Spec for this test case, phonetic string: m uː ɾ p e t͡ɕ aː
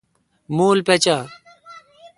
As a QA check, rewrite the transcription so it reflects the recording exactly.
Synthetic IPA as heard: m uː l p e t͡ɕ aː

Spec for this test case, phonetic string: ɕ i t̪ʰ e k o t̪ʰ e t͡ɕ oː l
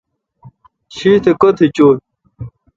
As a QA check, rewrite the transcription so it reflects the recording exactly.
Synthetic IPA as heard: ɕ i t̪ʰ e k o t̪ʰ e t͡ɕ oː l

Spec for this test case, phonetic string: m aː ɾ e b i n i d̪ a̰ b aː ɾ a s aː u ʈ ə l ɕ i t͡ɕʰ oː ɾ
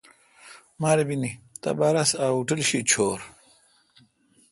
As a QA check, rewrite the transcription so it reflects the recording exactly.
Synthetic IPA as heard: m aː ɾ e b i n i t̪ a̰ b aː ɾ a s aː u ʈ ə l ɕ i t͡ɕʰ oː ɾ

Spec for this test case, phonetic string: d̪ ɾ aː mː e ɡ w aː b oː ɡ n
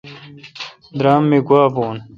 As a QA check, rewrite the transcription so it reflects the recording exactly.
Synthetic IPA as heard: d̪ ɾ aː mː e ɡ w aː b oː n

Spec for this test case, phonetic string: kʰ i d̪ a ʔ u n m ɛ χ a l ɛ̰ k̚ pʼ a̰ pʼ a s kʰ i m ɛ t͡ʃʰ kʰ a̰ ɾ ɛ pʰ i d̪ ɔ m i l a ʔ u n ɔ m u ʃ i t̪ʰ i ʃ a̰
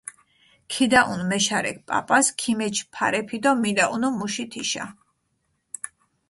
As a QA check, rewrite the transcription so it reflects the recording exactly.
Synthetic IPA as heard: kʰ i d̪ a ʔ u n m ɛ ʃ a ɾ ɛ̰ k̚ pʼ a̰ pʼ a s kʰ i m ɛ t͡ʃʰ pʰ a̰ ɾ ɛ pʰ i d̪ ɔ m i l a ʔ u n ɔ m u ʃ i t̪ʰ i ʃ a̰

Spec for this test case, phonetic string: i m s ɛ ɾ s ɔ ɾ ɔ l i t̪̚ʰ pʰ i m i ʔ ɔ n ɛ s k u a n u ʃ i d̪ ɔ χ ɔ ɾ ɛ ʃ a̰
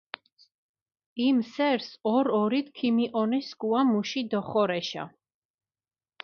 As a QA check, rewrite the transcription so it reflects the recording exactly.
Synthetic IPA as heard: i m s ɛ ɾ s ɔ ɾ ɔ ɾ i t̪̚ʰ kʰ i m i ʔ ɔ n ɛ s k u a m u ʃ i d̪ ɔ χ ɔ ɾ ɛ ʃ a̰

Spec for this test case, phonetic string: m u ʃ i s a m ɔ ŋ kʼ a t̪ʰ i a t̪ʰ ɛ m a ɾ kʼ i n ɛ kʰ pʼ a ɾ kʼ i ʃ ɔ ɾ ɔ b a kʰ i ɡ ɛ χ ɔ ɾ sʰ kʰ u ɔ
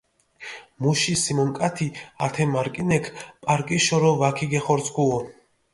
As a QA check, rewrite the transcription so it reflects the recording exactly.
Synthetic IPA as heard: m u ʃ i s i m ɔ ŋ kʼ a t̪ʰ i a t̪ʰ ɛ m a ɾ kʼ i n ɛ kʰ pʼ a ɾ kʼ i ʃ ɔ ɾ ɔ v a kʰ i ɡ ɛ χ ɔ ɾ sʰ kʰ u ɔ

